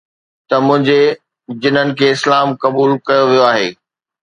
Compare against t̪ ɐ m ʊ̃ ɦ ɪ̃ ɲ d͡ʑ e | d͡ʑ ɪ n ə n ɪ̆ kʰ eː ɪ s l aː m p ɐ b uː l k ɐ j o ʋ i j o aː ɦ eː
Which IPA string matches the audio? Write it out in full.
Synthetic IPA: t̪ ɐ m ʊ̃ ɦ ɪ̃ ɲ d͡ʑ e | d͡ʑ ɪ n ə n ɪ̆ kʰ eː ɪ s l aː m k ɐ b uː l k ɐ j o ʋ i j o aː ɦ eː